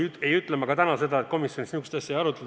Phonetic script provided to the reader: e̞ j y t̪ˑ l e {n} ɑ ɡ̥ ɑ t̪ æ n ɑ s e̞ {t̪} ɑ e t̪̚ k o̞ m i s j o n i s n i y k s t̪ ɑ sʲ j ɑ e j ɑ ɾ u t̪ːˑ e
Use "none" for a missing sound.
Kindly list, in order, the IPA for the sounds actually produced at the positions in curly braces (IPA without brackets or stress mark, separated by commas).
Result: m, d̪